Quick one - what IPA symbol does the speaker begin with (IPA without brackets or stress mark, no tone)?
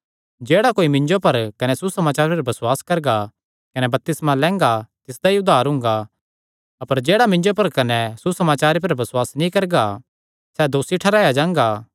d͡ʒ